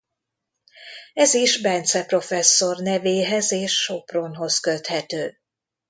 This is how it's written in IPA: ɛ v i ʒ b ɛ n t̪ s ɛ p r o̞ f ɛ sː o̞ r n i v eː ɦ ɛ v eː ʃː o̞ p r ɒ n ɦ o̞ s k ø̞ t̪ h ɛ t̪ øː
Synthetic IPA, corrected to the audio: ɛ z i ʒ b ɛ n t̪ s ɛ p r o̞ f ɛ sː o̞ r n ɛ v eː ɦ ɛ z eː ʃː o̞ p r o n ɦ o̞ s k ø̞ t̪ h ɛ t̪ øː